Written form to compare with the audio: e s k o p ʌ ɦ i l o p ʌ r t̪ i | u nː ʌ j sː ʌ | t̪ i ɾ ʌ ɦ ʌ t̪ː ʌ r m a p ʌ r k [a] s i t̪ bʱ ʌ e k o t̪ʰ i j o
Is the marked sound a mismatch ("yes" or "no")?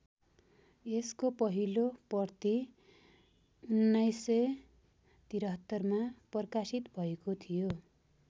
no